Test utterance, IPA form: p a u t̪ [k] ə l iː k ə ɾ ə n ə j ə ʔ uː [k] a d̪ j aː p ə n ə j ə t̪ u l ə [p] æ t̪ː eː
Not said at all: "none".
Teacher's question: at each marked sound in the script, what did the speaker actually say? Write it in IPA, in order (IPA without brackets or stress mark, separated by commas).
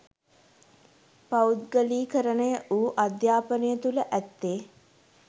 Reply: ɡ, ʔ, ʔ